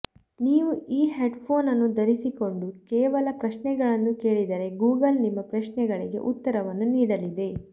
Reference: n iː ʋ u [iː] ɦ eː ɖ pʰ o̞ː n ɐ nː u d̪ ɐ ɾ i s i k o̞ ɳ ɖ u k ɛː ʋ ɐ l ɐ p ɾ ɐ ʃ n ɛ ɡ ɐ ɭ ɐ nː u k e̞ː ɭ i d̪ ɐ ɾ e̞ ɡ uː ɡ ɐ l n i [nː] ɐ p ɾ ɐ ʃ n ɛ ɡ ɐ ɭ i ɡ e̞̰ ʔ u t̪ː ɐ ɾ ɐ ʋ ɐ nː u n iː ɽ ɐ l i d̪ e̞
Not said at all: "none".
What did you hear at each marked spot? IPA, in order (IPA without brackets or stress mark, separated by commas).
iː, mː